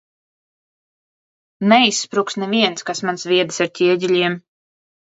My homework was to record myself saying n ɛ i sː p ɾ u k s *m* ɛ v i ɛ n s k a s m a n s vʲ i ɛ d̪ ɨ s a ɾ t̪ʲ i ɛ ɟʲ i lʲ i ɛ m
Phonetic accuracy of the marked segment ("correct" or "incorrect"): incorrect